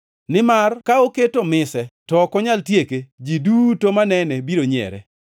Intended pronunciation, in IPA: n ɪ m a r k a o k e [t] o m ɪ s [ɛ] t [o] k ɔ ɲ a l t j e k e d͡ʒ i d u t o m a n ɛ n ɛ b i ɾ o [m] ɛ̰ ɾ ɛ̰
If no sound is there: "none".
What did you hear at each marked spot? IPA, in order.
t, ɛ, ɔ, ɲ

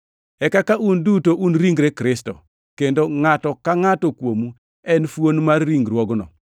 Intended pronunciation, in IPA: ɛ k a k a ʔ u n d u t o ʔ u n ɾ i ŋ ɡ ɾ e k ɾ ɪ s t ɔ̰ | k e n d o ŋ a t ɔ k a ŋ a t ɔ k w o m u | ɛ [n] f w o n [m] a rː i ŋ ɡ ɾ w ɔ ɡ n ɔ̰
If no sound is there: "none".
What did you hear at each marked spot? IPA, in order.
n, m

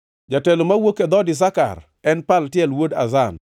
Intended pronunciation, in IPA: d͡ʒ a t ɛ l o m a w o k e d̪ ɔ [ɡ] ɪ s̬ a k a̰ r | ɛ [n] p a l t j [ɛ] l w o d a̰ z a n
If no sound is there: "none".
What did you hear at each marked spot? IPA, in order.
d, n, ɛ

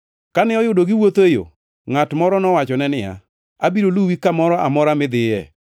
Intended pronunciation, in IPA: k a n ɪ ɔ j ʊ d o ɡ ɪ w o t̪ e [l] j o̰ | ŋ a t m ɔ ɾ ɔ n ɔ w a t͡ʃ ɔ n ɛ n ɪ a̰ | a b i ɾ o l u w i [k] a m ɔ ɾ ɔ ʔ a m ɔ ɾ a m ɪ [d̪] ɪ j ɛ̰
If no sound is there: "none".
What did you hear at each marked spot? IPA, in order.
none, k, d̪

